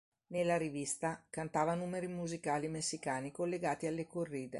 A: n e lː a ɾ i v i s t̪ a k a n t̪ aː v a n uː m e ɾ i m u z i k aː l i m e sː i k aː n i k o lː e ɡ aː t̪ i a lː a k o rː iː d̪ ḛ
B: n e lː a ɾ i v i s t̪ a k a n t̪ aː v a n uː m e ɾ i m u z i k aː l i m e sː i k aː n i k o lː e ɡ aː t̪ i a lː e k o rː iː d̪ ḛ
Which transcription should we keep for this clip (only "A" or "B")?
B